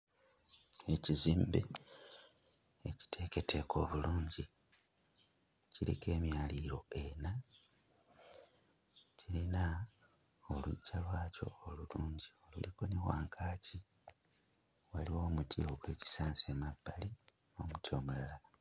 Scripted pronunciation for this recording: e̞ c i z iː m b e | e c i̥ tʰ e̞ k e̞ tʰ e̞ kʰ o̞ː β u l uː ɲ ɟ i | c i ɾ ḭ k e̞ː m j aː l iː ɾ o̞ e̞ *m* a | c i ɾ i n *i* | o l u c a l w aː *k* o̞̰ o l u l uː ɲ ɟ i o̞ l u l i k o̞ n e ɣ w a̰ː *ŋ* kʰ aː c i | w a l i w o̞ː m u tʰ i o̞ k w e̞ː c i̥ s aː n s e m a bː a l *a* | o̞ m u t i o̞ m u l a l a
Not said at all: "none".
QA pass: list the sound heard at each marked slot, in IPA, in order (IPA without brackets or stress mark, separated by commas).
n, a, c, ŋ, i